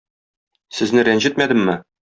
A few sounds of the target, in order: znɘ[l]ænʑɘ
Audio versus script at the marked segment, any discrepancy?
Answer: yes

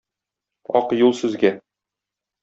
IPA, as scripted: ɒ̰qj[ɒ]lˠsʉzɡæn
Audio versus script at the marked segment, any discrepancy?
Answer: yes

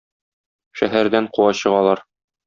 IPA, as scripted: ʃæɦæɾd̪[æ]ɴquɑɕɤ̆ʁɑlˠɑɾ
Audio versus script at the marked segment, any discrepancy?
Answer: no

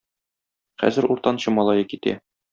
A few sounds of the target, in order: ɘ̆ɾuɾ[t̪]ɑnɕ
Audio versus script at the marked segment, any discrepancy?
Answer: no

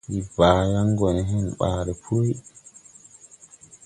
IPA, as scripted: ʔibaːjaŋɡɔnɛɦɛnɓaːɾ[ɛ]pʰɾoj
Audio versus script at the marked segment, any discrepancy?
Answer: no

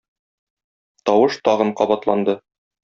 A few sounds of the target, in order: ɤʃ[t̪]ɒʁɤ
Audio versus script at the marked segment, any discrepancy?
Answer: no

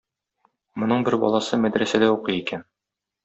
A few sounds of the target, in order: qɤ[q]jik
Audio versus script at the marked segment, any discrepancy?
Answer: yes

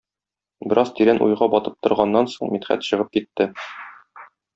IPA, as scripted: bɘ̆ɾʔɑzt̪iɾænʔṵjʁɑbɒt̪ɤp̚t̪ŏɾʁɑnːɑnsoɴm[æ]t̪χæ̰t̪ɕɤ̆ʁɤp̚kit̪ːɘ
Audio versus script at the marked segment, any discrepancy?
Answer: yes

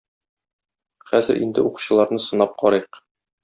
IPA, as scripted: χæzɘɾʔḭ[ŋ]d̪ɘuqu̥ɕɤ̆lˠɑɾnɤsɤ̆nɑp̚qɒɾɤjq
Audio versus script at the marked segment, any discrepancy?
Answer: yes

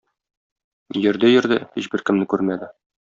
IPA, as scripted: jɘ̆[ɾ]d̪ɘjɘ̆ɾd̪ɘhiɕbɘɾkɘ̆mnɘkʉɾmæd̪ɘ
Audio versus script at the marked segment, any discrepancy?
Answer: no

